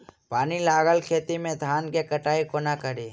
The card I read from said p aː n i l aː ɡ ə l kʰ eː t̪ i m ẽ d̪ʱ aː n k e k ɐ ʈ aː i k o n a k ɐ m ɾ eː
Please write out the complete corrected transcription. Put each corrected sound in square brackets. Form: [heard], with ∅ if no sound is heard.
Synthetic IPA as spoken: p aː n i l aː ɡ ə l kʰ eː t̪ i m ẽ d̪ʱ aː n k e k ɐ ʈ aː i k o n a k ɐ [∅] ɾ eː